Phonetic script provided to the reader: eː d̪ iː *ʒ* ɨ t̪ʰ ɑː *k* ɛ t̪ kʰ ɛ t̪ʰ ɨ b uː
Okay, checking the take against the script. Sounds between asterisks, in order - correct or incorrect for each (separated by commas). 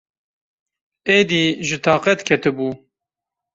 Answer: correct, incorrect